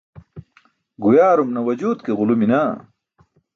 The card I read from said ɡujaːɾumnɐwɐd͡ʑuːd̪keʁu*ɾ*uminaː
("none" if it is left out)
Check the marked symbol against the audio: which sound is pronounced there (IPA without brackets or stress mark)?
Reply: l